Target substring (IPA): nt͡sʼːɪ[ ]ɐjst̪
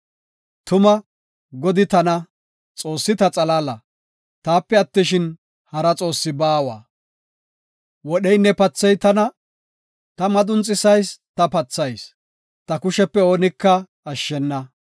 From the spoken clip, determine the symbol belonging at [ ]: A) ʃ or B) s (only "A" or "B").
B